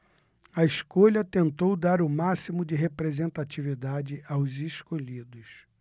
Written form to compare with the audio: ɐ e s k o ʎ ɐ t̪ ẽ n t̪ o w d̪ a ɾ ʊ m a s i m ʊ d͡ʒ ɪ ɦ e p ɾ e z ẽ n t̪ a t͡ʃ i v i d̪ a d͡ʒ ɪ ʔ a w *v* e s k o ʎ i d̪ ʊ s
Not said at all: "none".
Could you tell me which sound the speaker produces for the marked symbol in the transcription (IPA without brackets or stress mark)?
z